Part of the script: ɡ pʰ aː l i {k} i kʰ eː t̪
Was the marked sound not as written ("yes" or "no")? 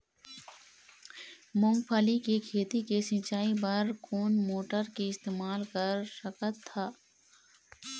no